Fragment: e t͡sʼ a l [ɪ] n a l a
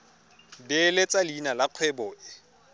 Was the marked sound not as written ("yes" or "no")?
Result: yes